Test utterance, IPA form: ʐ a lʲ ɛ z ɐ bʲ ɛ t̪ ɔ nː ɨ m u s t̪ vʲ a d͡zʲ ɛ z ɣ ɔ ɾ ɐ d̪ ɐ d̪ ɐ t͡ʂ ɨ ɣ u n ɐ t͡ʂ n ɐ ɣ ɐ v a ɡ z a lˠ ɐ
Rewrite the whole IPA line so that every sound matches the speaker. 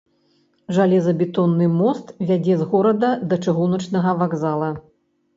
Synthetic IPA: ʐ a lʲ ɛ z ɐ bʲ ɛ t̪ ɔ nː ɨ m ɔ s t̪ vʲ a d͡zʲ ɛ z ɣ ɔ ɾ ɐ d̪ ɐ d̪ ɐ t͡ʂ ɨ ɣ u n ɐ t͡ʂ n ɐ ɣ ɐ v a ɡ z a lˠ ɐ